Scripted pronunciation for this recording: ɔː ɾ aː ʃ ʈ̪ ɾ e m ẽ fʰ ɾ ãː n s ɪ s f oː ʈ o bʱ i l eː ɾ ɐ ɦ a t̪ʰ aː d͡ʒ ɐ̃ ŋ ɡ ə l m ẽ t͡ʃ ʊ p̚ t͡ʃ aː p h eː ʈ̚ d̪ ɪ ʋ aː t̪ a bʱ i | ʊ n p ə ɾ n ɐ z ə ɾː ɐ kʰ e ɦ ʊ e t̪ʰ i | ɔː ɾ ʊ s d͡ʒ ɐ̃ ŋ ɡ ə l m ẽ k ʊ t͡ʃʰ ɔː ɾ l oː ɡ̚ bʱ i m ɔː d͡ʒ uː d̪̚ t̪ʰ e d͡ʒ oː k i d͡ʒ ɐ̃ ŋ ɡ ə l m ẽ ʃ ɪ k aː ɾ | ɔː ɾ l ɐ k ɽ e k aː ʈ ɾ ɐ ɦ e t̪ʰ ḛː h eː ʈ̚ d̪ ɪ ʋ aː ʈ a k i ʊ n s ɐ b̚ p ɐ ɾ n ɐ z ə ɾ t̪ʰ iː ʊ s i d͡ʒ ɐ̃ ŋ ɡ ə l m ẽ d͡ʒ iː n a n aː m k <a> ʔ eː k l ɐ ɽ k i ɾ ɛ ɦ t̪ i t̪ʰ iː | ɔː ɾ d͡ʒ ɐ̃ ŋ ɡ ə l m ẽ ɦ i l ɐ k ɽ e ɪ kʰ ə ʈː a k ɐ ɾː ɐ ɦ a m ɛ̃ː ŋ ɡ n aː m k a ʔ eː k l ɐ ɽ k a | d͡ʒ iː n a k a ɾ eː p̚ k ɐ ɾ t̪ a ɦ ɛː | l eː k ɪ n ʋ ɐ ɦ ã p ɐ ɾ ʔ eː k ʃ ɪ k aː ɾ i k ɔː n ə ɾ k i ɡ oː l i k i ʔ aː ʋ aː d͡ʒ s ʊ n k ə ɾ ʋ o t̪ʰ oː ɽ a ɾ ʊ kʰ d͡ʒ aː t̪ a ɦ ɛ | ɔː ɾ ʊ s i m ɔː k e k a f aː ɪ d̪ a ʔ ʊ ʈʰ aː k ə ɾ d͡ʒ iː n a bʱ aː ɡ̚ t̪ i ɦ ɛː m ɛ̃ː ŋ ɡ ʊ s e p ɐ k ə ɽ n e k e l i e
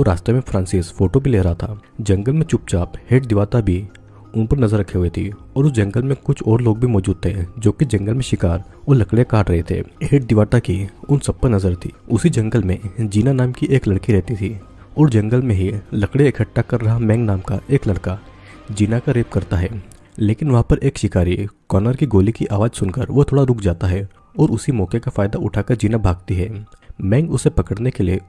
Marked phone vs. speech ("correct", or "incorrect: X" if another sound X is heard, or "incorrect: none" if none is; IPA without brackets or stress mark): incorrect: i